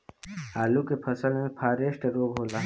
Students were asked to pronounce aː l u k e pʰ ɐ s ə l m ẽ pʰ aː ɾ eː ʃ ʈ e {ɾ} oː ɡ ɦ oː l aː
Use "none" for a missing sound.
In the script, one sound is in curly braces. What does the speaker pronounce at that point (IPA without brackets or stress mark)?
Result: ɾ